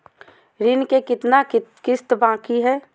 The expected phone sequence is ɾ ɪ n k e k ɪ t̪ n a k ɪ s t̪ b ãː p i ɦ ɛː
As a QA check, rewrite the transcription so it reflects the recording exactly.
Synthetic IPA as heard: ɾ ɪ n k e k ɪ t̪ n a k ɪ s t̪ b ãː k i ɦ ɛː